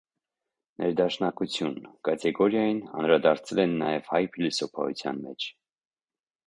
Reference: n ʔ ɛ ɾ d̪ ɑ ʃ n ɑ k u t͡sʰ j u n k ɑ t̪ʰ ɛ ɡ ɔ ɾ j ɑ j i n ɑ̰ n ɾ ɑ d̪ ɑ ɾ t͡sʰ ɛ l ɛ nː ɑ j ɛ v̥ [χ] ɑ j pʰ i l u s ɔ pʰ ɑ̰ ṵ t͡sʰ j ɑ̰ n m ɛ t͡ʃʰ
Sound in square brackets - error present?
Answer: yes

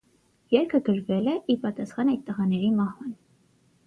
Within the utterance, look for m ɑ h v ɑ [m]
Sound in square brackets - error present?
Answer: yes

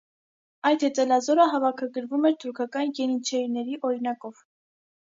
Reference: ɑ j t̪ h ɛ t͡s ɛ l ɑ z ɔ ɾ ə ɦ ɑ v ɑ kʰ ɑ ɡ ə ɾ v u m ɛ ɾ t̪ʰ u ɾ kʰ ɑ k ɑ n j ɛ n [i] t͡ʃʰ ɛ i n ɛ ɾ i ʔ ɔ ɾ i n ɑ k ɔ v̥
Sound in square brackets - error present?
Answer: no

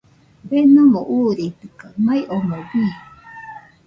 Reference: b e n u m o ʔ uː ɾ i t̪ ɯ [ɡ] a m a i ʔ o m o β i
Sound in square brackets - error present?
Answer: yes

